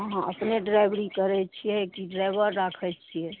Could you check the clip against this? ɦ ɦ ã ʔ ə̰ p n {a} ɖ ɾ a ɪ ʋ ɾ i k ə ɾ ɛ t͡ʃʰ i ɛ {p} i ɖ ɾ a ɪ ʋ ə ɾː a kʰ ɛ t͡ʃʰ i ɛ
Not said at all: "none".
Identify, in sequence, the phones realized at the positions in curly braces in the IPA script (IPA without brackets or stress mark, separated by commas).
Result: e, k